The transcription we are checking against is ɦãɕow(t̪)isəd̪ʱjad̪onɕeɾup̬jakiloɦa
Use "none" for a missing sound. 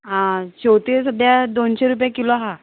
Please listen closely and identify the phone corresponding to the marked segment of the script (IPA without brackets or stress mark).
t̪